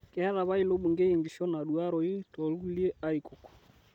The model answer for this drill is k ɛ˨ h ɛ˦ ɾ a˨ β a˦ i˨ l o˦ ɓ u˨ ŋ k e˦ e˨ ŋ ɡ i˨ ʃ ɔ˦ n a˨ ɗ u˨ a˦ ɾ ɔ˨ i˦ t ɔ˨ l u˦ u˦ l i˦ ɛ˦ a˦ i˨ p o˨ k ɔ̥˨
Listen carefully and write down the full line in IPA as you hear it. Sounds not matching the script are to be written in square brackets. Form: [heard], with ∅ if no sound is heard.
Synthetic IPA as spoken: k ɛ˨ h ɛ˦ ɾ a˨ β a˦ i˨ l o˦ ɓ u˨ ŋ [ɡ] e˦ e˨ ŋ ɡ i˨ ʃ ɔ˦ n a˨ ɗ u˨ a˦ ɾ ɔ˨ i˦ t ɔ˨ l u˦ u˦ l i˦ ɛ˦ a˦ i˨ [k] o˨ k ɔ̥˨